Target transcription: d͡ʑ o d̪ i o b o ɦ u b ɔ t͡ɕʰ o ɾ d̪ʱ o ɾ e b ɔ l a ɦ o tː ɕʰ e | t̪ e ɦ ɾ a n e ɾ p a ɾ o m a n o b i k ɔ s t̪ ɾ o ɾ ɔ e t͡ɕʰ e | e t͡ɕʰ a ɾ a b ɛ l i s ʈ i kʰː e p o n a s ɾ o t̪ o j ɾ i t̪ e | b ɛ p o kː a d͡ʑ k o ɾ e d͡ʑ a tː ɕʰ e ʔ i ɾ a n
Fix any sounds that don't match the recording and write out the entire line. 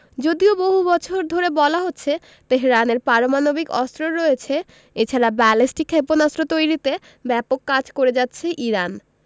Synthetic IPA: d͡ʑ o d̪ i o b o ɦ u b ɔ t͡ɕʰ o ɾ d̪ʱ o ɾ e b ɔ l a ɦ o tː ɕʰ e | t̪ e ɦ ɾ a n e ɾ p a ɾ o m a n o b i k ɔ s t̪ ɾ o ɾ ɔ e t͡ɕʰ e | e t͡ɕʰ a ɾ a b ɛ l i s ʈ i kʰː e p o n a s ɾ o t̪ o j ɾ i t̪ e | b ɛ p o kː a d͡ʑ k o ɾ e d͡ʑ a tː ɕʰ e ʔ i ɾ a n